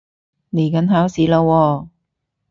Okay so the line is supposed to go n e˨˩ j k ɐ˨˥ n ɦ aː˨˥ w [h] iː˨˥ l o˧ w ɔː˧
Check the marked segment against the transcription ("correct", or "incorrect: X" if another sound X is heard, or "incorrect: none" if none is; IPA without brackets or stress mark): incorrect: s